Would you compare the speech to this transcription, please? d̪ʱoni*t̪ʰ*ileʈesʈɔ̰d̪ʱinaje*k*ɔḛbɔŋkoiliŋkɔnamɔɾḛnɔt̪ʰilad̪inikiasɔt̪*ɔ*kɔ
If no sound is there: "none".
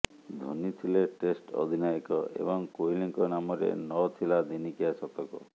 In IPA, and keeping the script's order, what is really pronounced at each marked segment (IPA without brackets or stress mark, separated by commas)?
t̪ʰ, k, ɔ